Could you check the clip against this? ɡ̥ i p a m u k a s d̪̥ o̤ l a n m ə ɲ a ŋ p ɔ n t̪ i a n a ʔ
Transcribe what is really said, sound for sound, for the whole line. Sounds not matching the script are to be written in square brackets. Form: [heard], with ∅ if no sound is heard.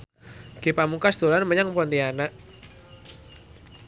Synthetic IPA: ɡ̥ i p a m u k a s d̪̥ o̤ l a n m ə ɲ a ŋ p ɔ n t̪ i a n a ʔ